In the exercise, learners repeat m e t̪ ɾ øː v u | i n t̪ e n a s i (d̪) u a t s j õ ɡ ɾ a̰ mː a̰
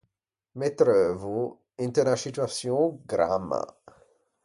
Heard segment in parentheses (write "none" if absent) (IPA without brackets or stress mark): t̪